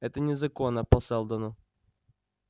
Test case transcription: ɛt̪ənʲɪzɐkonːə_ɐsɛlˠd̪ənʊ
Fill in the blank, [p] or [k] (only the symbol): p